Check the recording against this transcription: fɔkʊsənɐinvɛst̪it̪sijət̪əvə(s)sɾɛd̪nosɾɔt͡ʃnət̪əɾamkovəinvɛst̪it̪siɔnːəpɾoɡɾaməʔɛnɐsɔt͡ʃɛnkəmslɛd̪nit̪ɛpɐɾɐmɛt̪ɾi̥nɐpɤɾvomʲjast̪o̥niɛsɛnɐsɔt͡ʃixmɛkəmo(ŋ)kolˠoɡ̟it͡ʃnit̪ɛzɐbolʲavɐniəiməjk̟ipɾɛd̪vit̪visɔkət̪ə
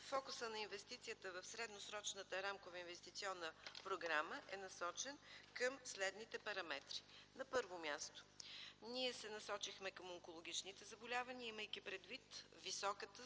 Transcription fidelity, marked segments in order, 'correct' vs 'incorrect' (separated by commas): incorrect, correct